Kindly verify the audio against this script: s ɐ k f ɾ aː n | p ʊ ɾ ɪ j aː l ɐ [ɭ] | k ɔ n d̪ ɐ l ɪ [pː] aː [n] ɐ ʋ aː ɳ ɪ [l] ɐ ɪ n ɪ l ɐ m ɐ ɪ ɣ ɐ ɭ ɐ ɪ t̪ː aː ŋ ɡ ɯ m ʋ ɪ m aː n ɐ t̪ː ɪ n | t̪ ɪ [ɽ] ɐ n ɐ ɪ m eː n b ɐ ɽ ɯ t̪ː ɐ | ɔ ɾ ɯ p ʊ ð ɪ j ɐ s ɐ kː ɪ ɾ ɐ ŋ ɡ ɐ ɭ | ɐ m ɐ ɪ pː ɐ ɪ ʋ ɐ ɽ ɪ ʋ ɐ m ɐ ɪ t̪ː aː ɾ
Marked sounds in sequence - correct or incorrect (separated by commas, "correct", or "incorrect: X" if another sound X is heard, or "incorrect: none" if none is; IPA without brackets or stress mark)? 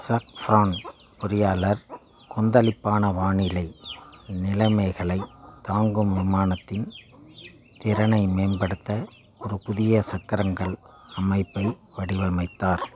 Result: incorrect: ɾ, correct, correct, correct, incorrect: ɾ